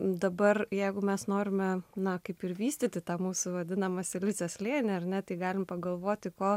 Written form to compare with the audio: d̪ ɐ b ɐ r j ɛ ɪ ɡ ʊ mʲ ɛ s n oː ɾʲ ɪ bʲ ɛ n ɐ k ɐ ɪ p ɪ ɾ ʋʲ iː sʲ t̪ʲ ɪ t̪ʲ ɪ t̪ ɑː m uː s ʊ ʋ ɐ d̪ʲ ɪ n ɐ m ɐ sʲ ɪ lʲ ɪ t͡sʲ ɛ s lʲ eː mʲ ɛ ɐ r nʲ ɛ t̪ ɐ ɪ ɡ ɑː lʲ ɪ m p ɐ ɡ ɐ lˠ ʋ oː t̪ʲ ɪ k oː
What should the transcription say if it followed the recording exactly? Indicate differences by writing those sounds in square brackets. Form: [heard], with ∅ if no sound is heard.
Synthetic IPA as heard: d̪ ɐ b ɐ r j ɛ ɪ ɡ ʊ mʲ ɛ s n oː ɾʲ ɪ [mʲ] ɛ n ɐ k ɐ ɪ p ɪ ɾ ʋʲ iː sʲ t̪ʲ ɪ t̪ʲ ɪ t̪ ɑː m uː s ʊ ʋ ɐ d̪ʲ ɪ n ɐ m ɐ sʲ ɪ lʲ ɪ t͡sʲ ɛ s lʲ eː [nʲ] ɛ ɐ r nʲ ɛ t̪ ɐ ɪ ɡ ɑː lʲ ɪ m p ɐ ɡ ɐ lˠ ʋ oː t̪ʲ ɪ k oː